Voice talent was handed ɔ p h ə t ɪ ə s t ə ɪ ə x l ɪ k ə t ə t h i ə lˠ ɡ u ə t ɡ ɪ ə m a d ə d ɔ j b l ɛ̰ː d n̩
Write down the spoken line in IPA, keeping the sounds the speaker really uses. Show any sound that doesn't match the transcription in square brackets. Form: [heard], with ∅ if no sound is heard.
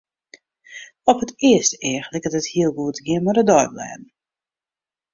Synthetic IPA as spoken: ɔ p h ə t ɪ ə s t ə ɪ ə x l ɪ k ə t ə t h i ə lˠ ɡ u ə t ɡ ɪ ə m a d ə d ɔ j b l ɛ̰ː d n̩